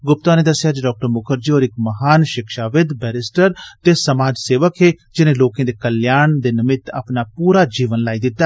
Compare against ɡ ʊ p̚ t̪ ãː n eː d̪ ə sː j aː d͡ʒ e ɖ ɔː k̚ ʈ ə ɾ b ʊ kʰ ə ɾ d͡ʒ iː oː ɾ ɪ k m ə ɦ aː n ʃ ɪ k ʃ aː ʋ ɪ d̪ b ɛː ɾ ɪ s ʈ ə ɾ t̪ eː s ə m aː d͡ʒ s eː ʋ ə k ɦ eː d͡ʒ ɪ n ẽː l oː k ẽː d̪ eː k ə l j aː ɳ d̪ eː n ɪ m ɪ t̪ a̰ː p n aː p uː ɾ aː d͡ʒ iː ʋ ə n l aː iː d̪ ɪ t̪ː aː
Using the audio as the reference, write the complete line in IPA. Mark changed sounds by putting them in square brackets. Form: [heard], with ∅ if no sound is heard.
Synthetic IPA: ɡ ʊ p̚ t̪ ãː n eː d̪ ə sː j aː d͡ʒ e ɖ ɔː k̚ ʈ ə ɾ [m] ʊ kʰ ə ɾ d͡ʒ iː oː ɾ ɪ k m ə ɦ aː n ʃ ɪ k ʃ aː ʋ ɪ d̪ b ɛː ɾ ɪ s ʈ ə ɾ t̪ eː s ə m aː d͡ʒ s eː ʋ ə k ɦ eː d͡ʒ ɪ n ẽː l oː k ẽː d̪ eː k ə l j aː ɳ d̪ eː n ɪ m ɪ t̪ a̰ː p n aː p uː ɾ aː d͡ʒ iː ʋ ə n l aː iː d̪ ɪ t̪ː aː